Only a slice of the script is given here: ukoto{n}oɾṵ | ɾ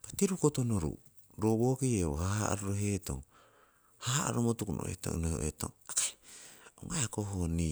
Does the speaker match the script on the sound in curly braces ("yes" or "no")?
yes